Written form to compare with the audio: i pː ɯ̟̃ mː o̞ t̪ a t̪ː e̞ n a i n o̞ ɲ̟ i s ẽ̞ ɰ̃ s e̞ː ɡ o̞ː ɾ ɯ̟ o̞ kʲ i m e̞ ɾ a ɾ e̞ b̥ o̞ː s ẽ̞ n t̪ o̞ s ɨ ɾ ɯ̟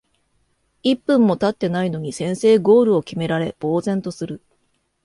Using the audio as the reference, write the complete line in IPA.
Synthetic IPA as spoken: i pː ɯ̟̃ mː o̞ t̪ a t̪ː e̞ n a i n o̞ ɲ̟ i s ẽ̞ ɰ̃ s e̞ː ɡ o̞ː ɾ ɯ̟ o̞ kʲ i m e̞ ɾ a ɾ e̞ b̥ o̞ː z ẽ̞ n t̪ o̞ s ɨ ɾ ɯ̟